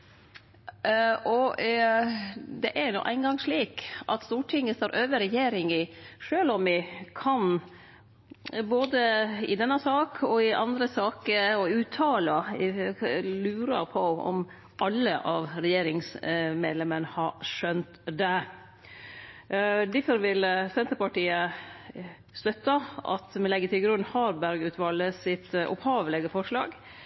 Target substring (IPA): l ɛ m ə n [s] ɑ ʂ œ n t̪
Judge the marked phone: incorrect: h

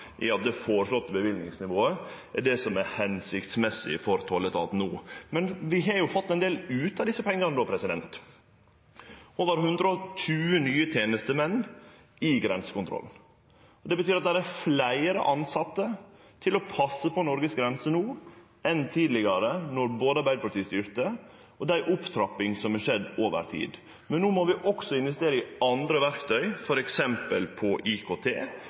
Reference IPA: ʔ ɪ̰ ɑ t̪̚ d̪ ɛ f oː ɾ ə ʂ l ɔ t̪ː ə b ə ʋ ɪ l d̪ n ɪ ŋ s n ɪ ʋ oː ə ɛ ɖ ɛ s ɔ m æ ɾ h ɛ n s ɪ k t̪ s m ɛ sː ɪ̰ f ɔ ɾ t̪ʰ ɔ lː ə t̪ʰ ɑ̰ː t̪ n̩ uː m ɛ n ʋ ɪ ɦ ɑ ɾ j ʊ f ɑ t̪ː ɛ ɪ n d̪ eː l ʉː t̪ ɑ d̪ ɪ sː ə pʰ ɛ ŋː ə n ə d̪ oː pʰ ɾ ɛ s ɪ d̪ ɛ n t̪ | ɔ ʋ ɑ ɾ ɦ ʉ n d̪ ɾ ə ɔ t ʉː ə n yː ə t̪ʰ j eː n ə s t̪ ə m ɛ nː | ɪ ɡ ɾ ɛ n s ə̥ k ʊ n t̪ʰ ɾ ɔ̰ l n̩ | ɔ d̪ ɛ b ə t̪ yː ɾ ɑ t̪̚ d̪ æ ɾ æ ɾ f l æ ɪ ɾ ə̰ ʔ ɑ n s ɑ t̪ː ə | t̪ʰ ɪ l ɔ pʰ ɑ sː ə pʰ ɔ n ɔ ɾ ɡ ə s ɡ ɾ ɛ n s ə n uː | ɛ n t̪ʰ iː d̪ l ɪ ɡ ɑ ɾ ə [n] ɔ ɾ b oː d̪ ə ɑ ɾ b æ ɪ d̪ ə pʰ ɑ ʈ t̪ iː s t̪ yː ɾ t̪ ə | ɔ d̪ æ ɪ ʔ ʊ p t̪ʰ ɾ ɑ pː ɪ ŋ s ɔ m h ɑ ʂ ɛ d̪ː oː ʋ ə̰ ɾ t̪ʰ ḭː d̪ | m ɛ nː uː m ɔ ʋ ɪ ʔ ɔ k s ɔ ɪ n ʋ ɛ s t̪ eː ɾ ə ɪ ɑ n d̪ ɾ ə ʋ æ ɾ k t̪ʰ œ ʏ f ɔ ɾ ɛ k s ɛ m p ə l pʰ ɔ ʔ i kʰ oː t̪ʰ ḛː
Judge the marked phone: correct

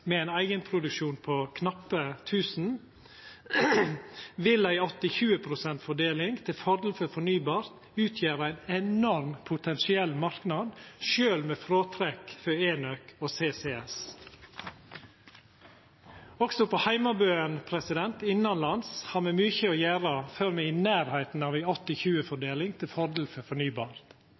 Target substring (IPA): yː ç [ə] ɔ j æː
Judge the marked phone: correct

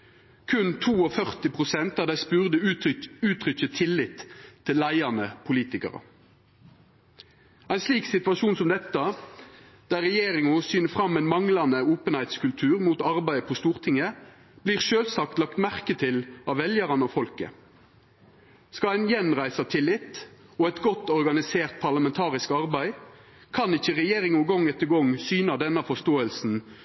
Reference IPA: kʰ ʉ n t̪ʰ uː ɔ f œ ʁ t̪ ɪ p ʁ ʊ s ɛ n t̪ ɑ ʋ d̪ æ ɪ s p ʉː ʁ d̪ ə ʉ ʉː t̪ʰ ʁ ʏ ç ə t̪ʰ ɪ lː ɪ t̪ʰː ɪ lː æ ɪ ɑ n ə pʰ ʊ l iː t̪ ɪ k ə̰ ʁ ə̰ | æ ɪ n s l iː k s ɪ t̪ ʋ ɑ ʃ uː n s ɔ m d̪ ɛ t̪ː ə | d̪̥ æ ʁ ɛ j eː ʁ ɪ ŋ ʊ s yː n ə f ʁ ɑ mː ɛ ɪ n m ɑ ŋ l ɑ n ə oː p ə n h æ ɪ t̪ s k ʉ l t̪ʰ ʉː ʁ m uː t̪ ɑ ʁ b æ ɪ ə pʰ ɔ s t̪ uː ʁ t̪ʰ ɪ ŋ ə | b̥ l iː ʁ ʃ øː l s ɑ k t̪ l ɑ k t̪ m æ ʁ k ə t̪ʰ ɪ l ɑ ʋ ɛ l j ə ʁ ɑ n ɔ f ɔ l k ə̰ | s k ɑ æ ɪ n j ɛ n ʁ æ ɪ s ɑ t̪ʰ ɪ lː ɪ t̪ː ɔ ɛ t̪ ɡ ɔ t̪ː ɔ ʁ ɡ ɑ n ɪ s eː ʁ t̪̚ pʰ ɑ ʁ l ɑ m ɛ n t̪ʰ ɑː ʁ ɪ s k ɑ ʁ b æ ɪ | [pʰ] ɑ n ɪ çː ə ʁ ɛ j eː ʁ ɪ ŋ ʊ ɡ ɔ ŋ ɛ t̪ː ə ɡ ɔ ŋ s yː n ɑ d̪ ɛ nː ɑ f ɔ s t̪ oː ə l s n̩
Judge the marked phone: incorrect: kʰ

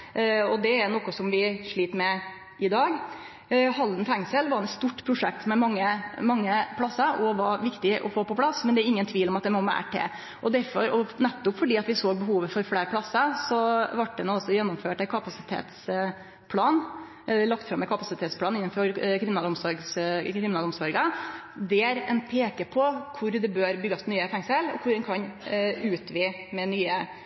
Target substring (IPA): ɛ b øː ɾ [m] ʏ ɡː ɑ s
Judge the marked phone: incorrect: b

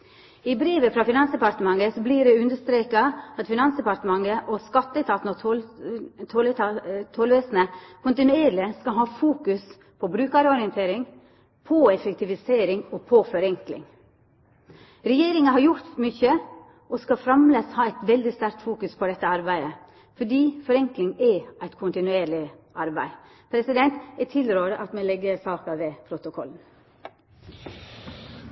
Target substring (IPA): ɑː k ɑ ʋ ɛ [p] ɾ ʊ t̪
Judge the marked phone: incorrect: pʰ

